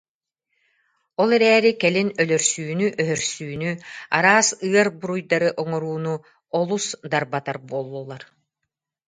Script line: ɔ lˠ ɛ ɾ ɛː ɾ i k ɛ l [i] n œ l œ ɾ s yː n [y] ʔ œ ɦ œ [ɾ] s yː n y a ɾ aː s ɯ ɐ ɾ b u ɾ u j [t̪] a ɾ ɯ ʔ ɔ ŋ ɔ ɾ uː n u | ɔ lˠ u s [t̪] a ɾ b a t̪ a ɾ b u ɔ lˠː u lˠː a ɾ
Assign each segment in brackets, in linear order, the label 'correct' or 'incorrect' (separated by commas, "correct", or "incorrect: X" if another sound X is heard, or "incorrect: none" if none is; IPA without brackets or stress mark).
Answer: correct, correct, correct, incorrect: d̪, incorrect: d̪